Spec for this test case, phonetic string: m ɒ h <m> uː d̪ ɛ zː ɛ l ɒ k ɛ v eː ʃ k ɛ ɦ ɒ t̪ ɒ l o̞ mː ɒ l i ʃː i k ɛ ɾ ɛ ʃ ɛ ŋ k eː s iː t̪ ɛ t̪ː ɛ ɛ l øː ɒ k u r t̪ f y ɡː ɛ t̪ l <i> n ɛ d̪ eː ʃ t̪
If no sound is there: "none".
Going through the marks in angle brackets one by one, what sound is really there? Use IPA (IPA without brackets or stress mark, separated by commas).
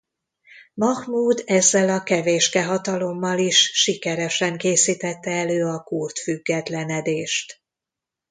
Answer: m, ɛ